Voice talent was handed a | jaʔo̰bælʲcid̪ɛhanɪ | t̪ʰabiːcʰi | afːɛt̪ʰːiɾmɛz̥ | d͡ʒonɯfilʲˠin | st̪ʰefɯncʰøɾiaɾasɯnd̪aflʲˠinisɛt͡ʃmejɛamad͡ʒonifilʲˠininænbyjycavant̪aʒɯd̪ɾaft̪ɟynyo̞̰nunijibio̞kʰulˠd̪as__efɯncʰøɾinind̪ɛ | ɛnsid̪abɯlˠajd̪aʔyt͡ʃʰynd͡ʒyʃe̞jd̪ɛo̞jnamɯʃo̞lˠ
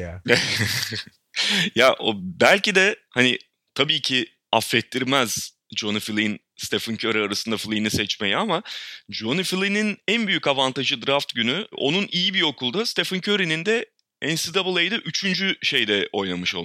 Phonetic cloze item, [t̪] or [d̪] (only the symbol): t̪